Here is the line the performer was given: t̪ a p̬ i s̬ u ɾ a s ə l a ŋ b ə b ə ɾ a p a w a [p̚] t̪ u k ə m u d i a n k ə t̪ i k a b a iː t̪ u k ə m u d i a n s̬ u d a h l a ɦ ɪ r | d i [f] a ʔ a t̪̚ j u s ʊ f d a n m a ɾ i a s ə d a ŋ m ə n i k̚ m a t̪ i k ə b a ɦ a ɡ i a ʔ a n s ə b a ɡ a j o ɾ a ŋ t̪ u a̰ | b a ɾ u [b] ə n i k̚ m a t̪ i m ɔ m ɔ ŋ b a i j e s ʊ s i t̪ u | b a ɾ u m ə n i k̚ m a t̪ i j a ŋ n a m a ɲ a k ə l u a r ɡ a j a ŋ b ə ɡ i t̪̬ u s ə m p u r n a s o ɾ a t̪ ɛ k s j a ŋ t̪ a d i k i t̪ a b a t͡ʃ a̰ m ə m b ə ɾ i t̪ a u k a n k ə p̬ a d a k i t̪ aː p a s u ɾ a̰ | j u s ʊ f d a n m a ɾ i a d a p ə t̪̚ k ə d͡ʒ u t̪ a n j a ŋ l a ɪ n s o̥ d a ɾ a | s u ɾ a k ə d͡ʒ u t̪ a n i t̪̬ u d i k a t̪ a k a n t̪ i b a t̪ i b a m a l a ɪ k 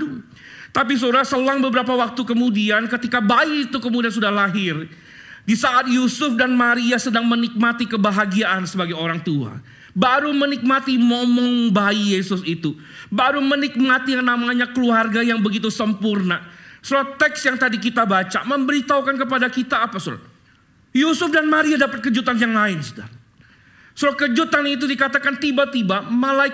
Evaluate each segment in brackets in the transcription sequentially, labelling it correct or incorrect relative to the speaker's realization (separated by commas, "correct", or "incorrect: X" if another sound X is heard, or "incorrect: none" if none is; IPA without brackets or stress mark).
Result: incorrect: k̚, incorrect: s, incorrect: m